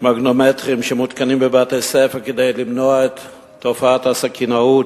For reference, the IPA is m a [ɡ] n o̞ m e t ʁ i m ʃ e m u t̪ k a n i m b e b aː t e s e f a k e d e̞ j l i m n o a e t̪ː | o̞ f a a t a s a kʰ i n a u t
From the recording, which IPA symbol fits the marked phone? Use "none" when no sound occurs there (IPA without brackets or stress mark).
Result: ɡ